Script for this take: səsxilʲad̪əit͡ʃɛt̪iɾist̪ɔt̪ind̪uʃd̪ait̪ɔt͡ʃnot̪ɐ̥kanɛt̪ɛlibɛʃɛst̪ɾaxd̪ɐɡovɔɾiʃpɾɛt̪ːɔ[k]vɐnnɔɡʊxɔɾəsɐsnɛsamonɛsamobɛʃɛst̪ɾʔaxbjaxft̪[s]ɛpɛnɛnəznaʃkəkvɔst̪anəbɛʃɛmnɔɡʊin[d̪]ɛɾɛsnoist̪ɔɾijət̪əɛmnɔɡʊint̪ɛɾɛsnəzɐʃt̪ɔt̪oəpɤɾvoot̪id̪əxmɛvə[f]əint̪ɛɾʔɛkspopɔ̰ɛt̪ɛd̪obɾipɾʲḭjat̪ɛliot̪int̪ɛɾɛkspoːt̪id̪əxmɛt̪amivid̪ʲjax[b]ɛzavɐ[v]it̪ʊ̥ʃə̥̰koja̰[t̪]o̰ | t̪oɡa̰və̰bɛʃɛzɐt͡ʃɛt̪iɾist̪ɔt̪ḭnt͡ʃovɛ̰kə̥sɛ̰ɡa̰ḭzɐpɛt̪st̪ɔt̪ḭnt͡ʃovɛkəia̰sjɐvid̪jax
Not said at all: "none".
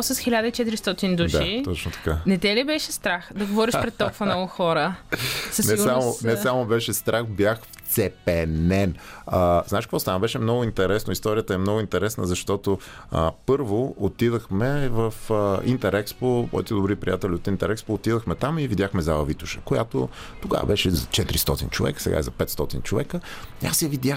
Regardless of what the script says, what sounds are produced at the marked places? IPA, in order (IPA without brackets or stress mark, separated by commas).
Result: k, s, t̪, f, m, v, t̪